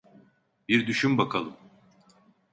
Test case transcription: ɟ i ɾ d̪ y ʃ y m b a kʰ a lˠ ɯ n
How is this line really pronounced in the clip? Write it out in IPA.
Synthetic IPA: b i ɾ d̪ y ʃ y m b a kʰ a lˠ ɯ m